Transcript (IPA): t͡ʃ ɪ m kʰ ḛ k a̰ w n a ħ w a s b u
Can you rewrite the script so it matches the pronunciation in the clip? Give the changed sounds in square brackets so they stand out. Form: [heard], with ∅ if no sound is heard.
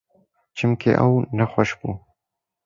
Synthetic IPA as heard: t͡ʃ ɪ m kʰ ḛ [ʔ] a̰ w n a [x] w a [ʃ] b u